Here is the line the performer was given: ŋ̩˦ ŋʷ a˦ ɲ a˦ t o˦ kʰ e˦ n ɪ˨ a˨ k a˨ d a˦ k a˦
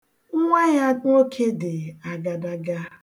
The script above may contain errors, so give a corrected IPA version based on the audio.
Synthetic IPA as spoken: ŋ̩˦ ŋʷ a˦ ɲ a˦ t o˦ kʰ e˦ d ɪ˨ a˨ ɡ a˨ d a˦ ɡ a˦